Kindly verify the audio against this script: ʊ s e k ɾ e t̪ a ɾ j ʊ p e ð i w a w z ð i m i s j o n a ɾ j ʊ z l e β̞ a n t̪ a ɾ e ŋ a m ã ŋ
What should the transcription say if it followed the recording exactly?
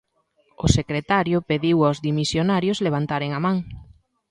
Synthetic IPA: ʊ s e k ɾ e t̪ a ɾ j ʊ p e ð i w a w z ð i m i s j o n a ɾ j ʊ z l e β̞ a n t̪ a ɾ e ŋ a m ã ŋ